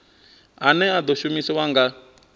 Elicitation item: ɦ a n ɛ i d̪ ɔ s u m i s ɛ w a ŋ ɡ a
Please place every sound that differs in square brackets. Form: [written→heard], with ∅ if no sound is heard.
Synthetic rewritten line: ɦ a n ɛ [i→a] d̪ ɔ [s→ʃ] u m i s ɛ w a ŋ ɡ a